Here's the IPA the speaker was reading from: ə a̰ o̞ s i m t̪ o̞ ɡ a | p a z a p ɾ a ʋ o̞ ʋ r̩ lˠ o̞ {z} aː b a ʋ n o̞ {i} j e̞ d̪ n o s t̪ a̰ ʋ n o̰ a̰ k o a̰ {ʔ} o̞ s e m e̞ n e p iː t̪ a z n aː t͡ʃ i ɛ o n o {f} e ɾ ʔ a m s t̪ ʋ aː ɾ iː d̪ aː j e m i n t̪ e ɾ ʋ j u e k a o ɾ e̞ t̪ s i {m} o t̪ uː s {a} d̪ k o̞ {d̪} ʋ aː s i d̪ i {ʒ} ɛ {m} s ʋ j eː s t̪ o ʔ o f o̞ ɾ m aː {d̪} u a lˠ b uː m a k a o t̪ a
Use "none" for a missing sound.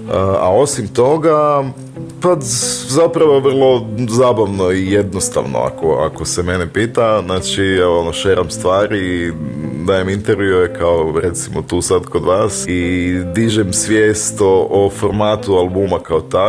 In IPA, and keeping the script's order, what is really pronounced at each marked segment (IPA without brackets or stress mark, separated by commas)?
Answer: z, i, k, ʃ, m, a, d̪, ʒ, m, t̪